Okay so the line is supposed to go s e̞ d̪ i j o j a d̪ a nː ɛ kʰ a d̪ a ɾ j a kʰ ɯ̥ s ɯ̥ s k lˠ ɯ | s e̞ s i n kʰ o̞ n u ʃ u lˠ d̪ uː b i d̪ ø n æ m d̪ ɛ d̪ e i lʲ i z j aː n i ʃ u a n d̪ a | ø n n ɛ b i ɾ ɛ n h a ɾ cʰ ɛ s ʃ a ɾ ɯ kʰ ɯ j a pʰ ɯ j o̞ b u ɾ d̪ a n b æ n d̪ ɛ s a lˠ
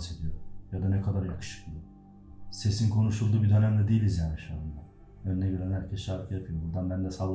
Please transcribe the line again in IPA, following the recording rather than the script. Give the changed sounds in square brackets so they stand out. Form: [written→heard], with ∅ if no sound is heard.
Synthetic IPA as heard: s e̞ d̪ i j o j a d̪ a [nː→n] ɛ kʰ a d̪ a ɾ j a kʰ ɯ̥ [s→ʃ] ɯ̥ [s→∅] k lˠ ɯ | s e̞ s i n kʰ o̞ n u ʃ u lˠ d̪ uː b i d̪ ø n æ m d̪ ɛ d̪ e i lʲ i z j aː n i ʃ u a n d̪ a | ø n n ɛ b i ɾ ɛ n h [a→æ] ɾ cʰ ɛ s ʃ a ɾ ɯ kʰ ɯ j a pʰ ɯ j o̞ b u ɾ d̪ a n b æ n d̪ ɛ s a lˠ